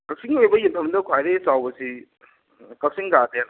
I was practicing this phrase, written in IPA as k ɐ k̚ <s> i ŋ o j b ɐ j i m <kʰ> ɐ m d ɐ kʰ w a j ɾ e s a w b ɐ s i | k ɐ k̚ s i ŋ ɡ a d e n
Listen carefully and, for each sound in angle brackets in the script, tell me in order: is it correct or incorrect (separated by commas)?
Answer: correct, incorrect